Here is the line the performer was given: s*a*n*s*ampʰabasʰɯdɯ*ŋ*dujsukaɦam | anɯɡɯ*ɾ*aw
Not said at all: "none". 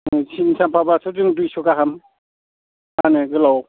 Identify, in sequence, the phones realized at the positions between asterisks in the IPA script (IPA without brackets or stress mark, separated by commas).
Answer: i, s, ŋ, l